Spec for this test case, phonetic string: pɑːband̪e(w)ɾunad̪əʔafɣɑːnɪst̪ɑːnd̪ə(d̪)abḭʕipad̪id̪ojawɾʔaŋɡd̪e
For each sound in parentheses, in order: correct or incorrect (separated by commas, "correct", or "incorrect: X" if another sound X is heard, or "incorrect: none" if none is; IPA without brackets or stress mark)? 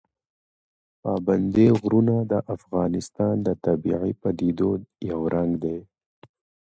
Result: incorrect: ɣ, incorrect: t̪